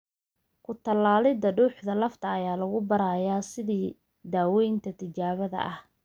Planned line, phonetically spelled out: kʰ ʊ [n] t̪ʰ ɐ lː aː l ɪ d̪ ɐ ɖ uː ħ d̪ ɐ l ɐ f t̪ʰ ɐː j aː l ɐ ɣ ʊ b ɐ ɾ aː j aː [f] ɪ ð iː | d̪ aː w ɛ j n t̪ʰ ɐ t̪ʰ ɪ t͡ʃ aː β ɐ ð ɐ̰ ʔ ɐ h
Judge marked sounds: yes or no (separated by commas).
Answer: no, no